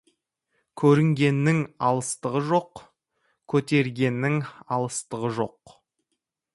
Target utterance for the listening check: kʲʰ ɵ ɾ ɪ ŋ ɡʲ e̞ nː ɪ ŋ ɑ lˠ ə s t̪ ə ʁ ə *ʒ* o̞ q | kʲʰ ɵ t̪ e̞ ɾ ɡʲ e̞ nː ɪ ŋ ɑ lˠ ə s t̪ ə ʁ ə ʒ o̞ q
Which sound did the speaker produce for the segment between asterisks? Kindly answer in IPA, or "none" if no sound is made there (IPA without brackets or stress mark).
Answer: ʒ